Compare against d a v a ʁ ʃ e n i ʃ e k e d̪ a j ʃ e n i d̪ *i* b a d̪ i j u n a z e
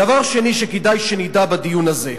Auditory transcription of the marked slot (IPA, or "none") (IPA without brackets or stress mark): a